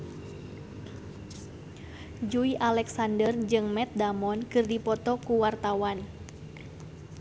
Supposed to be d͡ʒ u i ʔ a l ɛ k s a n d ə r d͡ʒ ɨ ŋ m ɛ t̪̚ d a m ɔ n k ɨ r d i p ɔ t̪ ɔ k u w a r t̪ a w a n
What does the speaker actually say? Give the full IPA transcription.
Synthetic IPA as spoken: d͡ʒ u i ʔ a l ɛ k s a n d ə r d͡ʒ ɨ ŋ m ɛ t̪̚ d a m ɔ n k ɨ r d i p ɔ t̪ ɔ k u w a r t̪ a w a n